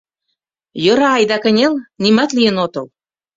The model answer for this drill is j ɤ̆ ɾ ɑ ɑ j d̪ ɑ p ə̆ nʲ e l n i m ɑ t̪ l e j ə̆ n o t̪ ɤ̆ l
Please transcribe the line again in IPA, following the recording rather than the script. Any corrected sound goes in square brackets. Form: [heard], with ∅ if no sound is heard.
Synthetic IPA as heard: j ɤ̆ ɾ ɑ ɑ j d̪ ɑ [k] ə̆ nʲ e l n i m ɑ t̪ l [i] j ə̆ n o t̪ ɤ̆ l